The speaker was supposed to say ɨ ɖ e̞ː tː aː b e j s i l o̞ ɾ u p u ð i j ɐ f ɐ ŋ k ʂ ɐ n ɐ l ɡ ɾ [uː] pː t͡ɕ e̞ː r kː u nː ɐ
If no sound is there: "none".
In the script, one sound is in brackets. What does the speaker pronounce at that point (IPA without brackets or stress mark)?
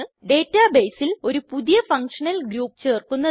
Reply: uː